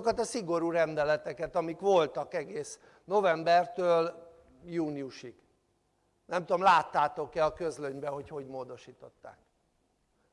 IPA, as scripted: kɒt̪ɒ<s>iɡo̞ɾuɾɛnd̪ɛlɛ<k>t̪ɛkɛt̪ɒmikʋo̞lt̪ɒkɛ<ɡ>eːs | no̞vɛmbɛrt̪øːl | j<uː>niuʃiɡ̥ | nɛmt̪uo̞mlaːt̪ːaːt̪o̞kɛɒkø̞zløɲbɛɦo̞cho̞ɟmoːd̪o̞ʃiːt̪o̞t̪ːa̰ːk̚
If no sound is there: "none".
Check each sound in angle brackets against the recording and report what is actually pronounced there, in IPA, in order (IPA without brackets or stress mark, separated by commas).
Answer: s, none, ɡ, uː